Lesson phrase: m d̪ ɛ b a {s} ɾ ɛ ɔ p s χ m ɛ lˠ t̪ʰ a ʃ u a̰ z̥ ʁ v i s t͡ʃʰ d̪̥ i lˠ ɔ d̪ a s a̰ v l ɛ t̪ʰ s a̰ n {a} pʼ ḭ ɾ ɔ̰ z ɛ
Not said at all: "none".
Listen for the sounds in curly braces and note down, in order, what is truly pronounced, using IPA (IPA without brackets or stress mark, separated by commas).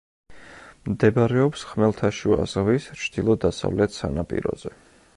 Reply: none, a